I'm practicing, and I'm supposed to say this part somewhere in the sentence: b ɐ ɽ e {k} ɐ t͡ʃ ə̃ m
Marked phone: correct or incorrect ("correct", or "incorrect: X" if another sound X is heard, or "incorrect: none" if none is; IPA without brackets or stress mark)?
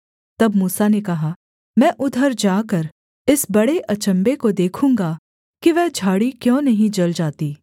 incorrect: ʔ